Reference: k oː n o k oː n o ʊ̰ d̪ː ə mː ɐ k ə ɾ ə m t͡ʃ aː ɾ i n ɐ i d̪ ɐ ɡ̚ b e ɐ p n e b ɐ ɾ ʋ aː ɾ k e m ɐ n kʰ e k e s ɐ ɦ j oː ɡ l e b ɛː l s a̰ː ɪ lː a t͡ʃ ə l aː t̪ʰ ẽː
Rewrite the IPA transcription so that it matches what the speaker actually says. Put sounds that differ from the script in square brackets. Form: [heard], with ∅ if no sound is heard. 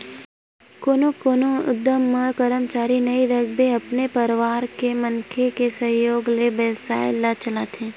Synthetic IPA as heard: k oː n o k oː n o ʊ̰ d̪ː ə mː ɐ k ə ɾ ə m t͡ʃ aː ɾ i n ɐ i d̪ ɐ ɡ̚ b e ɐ p n e [p] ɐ ɾ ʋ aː ɾ k e m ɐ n kʰ e k e s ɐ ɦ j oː ɡ l e b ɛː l s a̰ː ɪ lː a t͡ʃ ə l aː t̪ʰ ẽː